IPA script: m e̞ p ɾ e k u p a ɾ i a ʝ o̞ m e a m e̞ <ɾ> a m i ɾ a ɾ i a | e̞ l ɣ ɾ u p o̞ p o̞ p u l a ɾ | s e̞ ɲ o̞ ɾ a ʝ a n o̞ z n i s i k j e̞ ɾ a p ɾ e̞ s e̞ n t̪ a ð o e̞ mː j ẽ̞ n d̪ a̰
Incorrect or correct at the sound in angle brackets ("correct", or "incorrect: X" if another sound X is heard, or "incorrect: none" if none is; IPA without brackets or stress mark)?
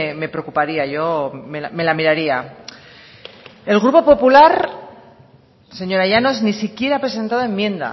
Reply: incorrect: l